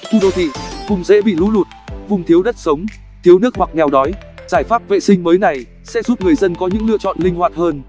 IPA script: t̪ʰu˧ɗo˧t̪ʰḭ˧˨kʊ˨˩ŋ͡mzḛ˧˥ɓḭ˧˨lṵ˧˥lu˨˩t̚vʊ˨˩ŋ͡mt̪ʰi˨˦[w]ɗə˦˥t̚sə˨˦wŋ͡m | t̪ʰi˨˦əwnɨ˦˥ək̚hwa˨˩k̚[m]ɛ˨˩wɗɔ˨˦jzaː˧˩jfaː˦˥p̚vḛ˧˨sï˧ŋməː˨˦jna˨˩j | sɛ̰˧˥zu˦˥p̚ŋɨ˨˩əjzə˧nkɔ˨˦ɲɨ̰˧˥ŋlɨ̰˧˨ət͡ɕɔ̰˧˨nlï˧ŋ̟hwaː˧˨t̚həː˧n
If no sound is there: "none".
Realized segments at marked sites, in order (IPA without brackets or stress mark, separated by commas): w, ŋ